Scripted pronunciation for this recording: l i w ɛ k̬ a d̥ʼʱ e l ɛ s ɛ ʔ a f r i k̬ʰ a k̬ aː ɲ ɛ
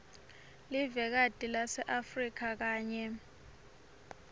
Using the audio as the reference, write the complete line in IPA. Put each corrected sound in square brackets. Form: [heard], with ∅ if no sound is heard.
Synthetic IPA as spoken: l i [v] ɛ k̬ a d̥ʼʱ [i] l [a] s ɛ ʔ a f r i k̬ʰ a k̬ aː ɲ ɛ